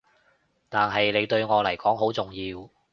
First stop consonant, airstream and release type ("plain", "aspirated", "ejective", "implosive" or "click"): plain